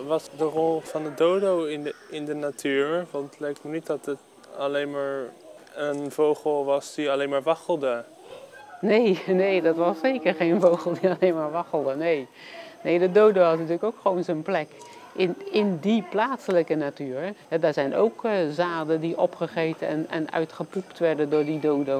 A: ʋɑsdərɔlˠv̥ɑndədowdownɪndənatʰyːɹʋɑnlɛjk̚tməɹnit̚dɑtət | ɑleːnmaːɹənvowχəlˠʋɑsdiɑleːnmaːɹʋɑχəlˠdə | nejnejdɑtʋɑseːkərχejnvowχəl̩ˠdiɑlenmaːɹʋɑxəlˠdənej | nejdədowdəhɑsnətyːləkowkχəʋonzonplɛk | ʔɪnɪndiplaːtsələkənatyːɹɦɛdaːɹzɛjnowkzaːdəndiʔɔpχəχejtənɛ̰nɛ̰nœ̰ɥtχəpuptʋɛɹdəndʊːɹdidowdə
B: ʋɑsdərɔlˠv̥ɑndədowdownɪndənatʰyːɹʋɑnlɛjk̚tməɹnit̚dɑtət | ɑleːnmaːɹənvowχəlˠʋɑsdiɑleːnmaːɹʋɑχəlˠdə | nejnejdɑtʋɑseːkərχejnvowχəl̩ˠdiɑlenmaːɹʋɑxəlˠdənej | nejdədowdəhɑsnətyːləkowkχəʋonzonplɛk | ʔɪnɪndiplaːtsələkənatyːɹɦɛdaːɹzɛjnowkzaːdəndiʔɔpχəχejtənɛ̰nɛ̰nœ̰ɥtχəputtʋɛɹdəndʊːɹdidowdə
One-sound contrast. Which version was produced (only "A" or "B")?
A